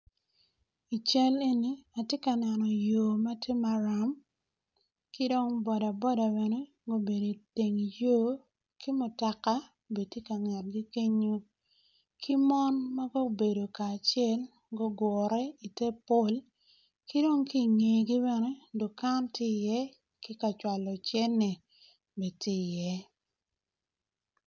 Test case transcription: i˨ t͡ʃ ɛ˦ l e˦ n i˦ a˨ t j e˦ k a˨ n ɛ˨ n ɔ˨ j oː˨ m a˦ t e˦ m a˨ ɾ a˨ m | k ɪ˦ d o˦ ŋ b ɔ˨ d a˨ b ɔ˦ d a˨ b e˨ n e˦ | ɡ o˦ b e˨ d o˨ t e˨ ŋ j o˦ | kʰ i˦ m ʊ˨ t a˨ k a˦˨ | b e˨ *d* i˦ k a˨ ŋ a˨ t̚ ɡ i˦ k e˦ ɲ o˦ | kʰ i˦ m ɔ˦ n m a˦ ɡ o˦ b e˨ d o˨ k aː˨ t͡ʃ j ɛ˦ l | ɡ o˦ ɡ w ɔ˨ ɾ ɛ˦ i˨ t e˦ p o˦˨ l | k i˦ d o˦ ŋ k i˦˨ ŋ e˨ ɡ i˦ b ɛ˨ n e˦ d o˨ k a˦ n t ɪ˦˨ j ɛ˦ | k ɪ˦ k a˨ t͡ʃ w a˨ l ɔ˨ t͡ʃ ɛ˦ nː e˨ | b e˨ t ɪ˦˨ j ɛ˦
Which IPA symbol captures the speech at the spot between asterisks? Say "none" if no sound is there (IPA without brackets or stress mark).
t